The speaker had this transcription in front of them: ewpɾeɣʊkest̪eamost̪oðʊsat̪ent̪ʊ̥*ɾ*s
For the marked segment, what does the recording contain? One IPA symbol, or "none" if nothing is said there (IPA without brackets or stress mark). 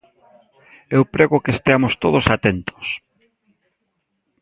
none